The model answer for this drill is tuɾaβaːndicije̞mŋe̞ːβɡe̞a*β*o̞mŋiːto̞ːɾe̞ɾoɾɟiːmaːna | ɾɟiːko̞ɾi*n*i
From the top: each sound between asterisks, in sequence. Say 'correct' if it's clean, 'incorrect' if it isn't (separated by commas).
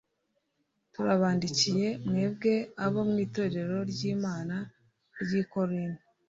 correct, correct